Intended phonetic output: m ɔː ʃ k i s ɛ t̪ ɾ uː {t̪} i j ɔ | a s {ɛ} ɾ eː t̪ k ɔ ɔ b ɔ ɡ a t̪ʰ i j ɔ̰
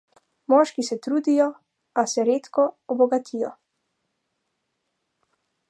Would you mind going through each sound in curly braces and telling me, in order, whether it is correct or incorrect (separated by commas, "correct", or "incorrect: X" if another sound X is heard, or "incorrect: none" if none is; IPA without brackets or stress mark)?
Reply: incorrect: d̪, correct